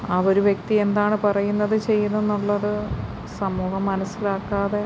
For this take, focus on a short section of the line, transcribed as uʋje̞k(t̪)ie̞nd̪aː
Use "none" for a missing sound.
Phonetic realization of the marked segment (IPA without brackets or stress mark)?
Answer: t̪